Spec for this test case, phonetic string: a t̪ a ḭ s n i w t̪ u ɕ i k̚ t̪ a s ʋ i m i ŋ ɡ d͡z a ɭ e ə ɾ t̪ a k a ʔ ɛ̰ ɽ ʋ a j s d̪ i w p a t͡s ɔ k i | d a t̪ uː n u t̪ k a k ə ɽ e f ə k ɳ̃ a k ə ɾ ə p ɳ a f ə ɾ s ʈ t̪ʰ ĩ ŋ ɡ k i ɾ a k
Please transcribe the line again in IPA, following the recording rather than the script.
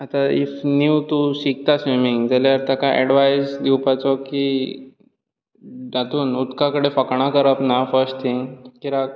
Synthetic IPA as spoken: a t̪ a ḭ f n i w t̪ u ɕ i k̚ t̪ a s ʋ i m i ŋ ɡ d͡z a l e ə ɾ t̪ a k a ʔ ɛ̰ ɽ ʋ a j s d̪ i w p a t͡s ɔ k i | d a t̪ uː n u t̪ k a k ə ɽ e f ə k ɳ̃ a k ə ɾ ə p n a f ə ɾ s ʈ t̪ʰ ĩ ŋ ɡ k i ɾ a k